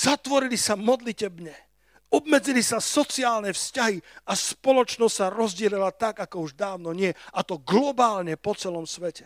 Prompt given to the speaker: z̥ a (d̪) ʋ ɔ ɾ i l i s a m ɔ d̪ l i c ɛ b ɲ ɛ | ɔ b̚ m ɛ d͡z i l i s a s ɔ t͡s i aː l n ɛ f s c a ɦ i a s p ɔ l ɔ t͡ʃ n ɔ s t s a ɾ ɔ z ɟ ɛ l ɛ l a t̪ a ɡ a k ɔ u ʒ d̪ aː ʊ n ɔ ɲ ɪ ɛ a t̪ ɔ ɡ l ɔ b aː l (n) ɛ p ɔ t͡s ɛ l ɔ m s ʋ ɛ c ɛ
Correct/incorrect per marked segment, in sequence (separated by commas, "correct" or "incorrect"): incorrect, incorrect